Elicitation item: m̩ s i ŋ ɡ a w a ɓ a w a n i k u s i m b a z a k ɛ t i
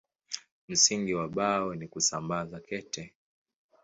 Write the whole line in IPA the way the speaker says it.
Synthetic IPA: m̩ s i ŋ ɡ i w a ɓ a w ɛ n i k u s a m b a z a k ɛ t ɛ